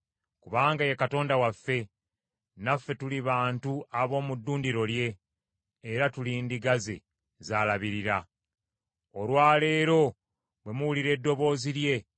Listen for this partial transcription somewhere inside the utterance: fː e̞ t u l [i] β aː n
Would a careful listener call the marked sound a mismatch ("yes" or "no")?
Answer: no